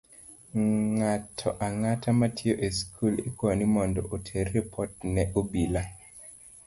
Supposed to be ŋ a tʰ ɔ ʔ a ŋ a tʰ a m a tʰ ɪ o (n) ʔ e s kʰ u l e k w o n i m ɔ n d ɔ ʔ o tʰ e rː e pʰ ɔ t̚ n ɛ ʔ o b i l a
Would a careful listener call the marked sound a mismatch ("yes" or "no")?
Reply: yes